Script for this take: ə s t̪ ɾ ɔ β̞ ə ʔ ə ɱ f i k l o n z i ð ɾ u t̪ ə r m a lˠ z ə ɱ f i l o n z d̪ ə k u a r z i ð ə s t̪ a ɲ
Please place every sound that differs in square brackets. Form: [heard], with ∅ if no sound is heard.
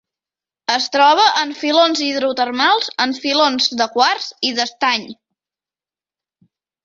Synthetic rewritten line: ə s t̪ ɾ ɔ β̞ ə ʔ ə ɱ f i [∅] l o n z i ð ɾ u t̪ ə r m a lˠ z ə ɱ f i l o n z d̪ ə k [w] a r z i ð ə s t̪ a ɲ